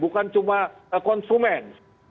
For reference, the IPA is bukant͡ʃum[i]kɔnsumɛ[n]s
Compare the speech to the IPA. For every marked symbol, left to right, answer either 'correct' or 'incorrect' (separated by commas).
incorrect, correct